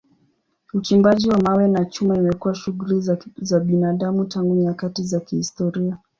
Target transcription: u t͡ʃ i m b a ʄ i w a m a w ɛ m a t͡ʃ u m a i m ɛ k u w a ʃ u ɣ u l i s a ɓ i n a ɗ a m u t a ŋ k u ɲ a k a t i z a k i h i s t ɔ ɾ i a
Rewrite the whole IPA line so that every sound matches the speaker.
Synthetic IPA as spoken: u t͡ʃ i m b a ʄ i w a m a w ɛ n a t͡ʃ u m a i m ɛ k u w a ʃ u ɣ u l i z a ɓ i n a ɗ a m u t a ŋ ɡ u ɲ a k a t i z a k i h i s t ɔ ɾ i a

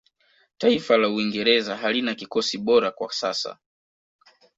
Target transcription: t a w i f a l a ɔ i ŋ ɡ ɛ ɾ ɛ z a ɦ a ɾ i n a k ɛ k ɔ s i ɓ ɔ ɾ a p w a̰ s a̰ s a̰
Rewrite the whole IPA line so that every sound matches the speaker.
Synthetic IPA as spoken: t a i f a l a u i ŋ ɡ ɛ ɾ ɛ z a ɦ a l i n a k i k ɔ s i ɓ ɔ ɾ a k w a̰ s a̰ s a̰

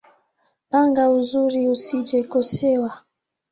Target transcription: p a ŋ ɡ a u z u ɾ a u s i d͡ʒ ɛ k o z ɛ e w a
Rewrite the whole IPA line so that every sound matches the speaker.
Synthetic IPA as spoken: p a ŋ ɡ a u z u ɾ i u s i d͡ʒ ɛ k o s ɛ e w a

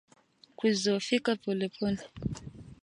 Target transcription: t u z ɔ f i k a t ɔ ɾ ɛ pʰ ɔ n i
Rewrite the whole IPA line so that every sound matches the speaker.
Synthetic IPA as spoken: k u z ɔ f i k a p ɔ l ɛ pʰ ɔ n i

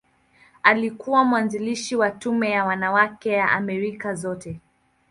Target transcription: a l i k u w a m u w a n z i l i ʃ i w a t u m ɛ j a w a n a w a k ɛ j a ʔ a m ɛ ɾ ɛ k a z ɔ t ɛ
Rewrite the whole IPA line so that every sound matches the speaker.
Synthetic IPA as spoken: a l i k u w a m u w a n z i l i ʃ i w a t u m ɛ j a w a n a w a k ɛ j a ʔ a m ɛ ɾ i k a z ɔ t ɛ

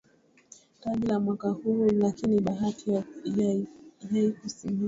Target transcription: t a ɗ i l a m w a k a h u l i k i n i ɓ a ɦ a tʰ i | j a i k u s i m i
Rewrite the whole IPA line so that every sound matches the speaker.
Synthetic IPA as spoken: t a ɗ i l a m w a k a h u l a k i n i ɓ a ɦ a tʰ i | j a i k u s i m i

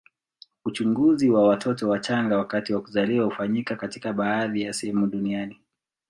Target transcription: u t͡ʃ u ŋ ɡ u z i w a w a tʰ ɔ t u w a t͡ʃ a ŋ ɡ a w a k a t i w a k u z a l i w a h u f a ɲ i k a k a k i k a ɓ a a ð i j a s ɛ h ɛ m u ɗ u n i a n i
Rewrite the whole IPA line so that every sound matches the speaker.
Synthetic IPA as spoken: u t͡ʃ u ŋ ɡ u z i w a w a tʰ ɔ t ɔ w a t͡ʃ a ŋ ɡ a w a k a t i w a k u z a l i w a h u f a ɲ i k a k a t i k a ɓ a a ð i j a s ɛ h ɛ m u ɗ u n i a n i

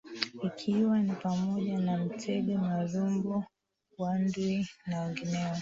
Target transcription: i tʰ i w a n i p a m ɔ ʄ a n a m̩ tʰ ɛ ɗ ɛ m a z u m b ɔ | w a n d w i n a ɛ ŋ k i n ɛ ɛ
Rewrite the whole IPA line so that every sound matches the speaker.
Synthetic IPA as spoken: i kʰ i w a n i p a m ɔ ʄ a n a m̩ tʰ ɛ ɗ ɛ m a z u m b ɔ | w a n d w i n a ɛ ŋ ɡ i n ɛ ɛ

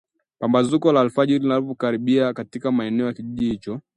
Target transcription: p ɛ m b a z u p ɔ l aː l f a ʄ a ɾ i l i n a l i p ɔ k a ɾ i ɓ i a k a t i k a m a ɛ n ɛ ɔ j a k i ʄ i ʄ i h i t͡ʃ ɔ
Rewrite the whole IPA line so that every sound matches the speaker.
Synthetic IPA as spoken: p a m b a z u k ɔ l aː l f a ʄ i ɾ i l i n a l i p ɔ k a ɾ i ɓ i a k a t i k a m a ɛ n ɛ ɔ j a k i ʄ i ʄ i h i t͡ʃ ɔ

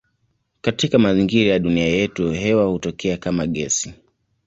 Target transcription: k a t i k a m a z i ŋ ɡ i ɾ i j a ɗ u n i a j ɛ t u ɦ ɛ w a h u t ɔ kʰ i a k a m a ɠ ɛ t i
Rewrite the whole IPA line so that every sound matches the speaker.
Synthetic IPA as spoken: k a t i k a m a z i ŋ ɡ i ɾ a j a ɗ u n i a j ɛ t u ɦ ɛ w a h u t ɔ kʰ ɛ a k a m a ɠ ɛ s i

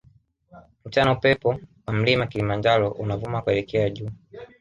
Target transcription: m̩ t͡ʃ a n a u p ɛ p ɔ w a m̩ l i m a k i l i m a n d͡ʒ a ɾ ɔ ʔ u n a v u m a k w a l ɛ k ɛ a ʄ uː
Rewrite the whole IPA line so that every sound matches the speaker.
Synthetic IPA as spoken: m̩ t͡ʃ a n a u p ɛ p ɔ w a m̩ l i m a k i l i m a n d͡ʒ a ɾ ɔ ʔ u n a v u m a k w ɛ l ɛ k ɛ a ʄ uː

